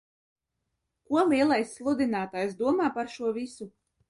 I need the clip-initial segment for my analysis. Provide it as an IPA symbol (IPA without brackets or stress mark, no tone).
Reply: k